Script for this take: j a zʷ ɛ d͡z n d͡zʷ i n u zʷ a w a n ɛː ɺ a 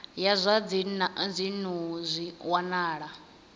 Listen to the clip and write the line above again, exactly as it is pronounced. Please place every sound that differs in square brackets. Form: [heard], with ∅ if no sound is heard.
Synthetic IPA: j a zʷ [a] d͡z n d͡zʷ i n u zʷ [i] w a n [aː] ɺ a